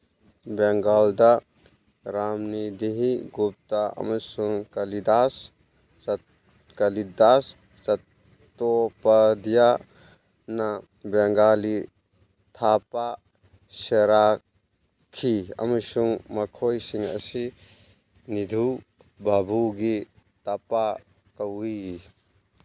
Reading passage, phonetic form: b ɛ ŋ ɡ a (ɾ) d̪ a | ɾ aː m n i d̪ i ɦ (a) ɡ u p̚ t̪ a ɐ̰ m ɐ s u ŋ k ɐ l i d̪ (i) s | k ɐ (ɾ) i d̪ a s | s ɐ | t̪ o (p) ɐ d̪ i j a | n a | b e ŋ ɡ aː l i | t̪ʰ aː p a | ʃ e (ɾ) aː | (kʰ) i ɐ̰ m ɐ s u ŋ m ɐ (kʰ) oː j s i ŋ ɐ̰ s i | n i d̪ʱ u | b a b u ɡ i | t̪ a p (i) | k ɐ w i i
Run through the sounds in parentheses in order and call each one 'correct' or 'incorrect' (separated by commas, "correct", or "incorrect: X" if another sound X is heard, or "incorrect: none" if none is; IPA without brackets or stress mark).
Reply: incorrect: l, incorrect: i, incorrect: a, incorrect: l, correct, correct, correct, correct, incorrect: a